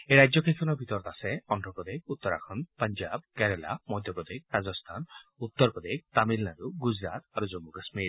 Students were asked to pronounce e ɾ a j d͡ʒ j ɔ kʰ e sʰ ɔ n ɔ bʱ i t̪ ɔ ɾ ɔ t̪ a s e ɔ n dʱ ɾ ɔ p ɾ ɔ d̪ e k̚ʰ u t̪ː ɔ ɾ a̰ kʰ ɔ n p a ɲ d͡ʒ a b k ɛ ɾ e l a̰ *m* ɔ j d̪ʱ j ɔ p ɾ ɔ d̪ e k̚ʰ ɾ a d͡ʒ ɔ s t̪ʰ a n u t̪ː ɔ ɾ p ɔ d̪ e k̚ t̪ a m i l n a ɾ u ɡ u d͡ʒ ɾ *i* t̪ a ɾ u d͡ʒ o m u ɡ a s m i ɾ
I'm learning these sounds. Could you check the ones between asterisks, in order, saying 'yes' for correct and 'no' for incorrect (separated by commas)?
yes, no